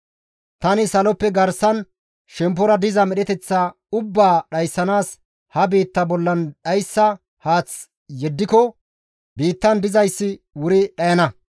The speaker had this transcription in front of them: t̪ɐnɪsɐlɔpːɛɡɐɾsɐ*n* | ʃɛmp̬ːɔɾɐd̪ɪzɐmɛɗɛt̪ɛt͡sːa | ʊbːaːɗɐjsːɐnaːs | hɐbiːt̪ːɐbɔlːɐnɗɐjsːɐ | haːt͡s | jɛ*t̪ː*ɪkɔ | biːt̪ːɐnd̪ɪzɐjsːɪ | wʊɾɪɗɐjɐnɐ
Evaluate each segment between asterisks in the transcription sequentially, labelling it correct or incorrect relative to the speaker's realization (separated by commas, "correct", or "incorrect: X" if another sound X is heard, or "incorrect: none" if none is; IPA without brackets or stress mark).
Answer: correct, incorrect: d̪ː